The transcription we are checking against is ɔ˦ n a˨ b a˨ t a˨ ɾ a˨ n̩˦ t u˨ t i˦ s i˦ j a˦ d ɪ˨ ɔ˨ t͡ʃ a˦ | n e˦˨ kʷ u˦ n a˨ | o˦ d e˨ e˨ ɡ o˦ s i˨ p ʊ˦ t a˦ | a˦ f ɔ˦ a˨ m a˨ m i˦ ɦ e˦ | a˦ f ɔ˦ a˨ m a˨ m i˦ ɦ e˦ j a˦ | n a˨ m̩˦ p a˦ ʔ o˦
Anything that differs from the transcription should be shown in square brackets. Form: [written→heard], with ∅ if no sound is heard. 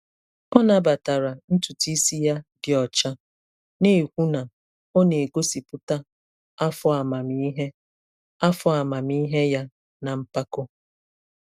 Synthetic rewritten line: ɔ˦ n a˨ b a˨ t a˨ ɾ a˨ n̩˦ t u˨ t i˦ s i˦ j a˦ d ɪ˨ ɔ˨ t͡ʃ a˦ | n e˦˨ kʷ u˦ n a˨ | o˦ [d→n] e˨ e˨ ɡ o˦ s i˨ p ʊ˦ t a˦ | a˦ f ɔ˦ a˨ m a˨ m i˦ ɦ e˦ | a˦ f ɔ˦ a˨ m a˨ m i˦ ɦ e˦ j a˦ | n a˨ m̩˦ p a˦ [ʔ→k] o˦